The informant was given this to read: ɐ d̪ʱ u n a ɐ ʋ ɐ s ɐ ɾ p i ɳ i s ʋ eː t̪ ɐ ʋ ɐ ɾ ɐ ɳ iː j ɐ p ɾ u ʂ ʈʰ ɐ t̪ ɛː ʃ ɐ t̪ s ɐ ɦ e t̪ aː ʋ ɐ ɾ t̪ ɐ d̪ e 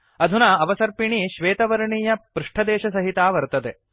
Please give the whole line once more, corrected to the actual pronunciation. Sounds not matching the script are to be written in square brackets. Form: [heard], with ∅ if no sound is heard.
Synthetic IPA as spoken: ɐ d̪ʱ u n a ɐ ʋ ɐ s ɐ ɾ p i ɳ i [ʃ] ʋ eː t̪ ɐ ʋ ɐ ɾ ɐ ɳ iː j ɐ p ɾ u ʂ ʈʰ ɐ [d̪] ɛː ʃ ɐ [∅] s ɐ ɦ [i] t̪ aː ʋ ɐ ɾ t̪ ɐ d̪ e